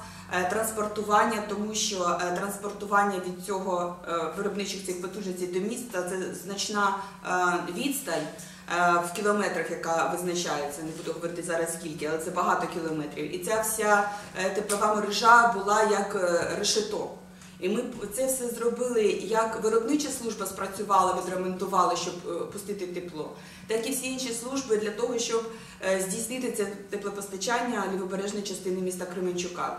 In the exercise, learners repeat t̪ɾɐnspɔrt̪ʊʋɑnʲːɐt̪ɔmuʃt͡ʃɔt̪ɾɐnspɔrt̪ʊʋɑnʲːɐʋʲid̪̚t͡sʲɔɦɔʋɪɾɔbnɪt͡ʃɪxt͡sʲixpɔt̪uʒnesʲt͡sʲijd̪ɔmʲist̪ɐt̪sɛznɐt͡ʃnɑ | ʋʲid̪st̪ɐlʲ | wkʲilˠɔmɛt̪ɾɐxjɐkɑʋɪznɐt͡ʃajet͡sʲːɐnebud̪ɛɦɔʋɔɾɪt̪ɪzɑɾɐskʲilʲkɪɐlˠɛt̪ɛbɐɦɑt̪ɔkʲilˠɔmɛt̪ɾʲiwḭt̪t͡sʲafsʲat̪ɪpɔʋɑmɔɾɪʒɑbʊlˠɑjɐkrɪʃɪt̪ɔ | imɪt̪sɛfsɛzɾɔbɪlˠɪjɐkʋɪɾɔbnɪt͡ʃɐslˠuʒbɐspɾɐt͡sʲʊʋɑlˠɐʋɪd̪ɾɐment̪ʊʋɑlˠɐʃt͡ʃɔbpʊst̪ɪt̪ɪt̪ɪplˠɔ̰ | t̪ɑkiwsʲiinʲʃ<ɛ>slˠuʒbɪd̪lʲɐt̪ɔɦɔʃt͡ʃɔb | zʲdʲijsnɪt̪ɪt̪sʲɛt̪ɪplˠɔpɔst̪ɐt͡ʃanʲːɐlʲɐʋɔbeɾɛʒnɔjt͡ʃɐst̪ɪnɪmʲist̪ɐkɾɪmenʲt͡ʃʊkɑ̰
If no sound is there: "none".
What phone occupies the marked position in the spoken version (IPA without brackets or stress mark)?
i